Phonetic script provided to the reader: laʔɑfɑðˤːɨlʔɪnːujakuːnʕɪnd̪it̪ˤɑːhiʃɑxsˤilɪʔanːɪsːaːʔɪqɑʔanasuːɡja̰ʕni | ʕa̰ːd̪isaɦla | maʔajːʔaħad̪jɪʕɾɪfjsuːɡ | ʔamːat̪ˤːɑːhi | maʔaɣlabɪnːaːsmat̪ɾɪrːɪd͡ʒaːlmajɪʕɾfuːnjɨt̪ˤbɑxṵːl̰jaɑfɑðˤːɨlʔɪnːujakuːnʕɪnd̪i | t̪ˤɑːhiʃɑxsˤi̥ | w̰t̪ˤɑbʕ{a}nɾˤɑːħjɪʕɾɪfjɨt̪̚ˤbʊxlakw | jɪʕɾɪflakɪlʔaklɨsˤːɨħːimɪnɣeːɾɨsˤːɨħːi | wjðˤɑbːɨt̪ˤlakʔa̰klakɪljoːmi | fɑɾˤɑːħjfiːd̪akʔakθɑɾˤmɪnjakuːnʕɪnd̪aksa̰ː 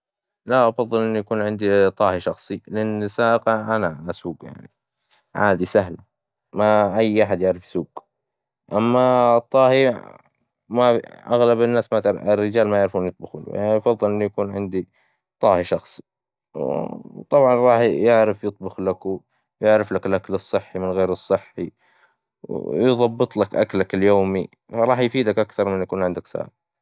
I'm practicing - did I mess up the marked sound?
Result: yes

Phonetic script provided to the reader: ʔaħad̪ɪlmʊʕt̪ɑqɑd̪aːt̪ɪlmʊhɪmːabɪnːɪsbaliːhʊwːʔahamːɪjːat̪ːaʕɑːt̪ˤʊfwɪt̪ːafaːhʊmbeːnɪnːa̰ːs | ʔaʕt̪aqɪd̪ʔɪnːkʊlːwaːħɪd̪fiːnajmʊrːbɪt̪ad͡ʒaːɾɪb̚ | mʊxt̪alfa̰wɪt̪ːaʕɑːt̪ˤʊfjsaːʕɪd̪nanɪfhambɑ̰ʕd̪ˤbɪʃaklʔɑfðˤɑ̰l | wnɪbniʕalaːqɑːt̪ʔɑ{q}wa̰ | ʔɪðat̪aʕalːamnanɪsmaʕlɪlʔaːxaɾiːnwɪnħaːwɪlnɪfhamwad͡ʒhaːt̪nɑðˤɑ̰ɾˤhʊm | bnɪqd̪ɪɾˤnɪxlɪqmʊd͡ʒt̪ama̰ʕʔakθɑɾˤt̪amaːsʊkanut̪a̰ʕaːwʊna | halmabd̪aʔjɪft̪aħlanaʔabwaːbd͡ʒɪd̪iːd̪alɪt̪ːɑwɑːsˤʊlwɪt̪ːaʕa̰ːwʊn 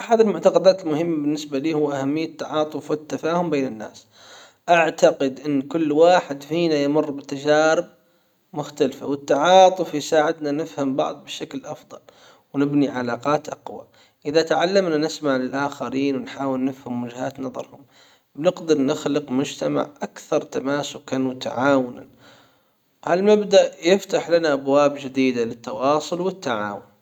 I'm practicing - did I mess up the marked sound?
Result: no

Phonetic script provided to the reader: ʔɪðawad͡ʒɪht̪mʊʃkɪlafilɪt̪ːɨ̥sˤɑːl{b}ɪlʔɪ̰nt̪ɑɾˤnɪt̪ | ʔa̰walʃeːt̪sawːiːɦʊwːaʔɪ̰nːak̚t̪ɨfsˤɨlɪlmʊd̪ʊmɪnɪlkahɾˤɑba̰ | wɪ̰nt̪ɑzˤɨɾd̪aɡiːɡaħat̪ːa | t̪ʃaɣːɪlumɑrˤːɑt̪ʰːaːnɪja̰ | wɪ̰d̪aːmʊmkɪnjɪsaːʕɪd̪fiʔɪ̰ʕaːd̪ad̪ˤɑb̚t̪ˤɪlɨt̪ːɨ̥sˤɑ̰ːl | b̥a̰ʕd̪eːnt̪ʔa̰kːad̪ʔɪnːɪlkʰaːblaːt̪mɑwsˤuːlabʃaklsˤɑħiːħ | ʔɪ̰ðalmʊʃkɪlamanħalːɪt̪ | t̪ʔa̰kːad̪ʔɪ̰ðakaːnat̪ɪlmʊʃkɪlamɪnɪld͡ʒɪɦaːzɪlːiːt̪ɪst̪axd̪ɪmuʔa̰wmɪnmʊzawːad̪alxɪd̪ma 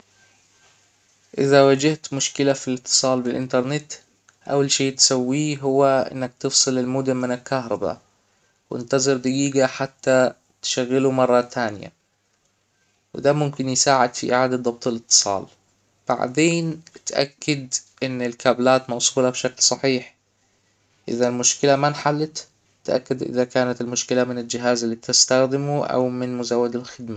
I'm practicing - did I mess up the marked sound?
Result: no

